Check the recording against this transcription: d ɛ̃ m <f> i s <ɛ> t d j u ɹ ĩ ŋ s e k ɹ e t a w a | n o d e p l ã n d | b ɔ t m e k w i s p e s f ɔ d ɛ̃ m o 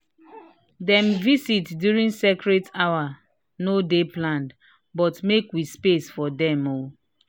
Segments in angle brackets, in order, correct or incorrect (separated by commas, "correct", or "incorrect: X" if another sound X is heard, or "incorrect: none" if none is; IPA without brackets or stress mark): incorrect: v, incorrect: i